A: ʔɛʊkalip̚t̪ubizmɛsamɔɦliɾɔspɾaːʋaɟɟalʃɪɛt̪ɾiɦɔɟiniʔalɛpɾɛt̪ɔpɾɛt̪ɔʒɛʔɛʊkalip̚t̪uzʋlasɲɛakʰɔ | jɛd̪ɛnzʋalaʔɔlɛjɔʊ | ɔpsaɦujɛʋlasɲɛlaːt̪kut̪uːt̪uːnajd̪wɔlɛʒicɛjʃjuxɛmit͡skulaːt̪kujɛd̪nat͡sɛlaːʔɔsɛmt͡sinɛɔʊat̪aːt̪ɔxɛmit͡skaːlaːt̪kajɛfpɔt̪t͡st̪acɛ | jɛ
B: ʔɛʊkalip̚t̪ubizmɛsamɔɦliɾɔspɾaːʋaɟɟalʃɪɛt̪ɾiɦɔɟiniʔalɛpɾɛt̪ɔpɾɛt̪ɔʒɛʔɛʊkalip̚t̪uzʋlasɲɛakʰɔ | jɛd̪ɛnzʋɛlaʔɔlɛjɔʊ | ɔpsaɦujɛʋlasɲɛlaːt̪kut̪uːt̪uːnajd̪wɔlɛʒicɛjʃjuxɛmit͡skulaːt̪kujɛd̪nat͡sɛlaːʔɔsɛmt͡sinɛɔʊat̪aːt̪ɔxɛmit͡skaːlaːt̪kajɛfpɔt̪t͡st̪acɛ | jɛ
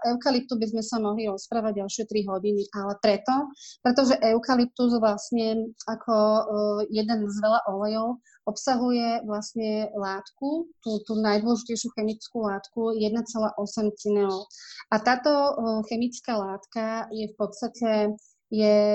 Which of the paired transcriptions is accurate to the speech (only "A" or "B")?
B